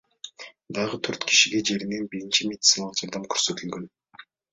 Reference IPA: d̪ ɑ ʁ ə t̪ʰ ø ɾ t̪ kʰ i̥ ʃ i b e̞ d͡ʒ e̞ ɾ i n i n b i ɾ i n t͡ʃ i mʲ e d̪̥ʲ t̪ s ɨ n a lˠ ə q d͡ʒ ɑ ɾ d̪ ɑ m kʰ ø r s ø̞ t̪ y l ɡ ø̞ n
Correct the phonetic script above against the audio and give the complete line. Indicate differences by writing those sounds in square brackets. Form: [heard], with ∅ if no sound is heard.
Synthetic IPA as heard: d̪ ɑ ʁ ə t̪ʰ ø ɾ t̪ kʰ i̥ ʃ i [ɡ] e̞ d͡ʒ e̞ ɾ i n [e] n b i ɾ i n t͡ʃ i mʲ e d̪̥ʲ t̪ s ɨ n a lˠ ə q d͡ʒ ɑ ɾ d̪ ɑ m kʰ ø [ɾ] s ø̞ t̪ y l ɡ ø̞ n